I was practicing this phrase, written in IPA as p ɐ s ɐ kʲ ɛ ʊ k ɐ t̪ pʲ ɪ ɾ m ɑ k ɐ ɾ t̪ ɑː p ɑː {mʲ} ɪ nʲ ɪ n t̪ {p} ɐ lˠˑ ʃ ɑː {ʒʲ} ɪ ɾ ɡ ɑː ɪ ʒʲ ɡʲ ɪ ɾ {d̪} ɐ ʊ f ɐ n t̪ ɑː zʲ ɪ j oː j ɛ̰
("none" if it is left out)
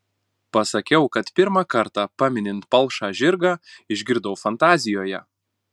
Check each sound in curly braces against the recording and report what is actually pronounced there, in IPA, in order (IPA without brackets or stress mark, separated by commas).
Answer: mʲ, p, ʒʲ, d̪